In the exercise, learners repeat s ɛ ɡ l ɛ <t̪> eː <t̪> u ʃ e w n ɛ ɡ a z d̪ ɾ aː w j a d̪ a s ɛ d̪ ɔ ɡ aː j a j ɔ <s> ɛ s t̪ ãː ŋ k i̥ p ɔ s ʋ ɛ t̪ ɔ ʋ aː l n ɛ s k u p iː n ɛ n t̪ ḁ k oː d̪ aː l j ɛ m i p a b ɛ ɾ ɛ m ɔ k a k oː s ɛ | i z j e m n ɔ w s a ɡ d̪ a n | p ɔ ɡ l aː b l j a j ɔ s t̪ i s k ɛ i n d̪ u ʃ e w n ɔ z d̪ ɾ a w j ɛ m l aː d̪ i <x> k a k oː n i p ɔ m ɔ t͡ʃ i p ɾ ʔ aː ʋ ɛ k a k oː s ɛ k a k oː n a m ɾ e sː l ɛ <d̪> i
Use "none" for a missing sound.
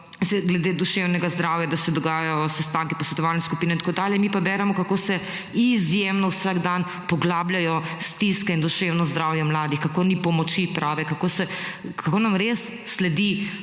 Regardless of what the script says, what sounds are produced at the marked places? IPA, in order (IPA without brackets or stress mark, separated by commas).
d̪, d̪, s, x, d̪